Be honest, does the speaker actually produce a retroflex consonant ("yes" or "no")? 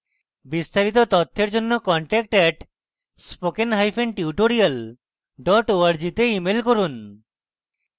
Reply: yes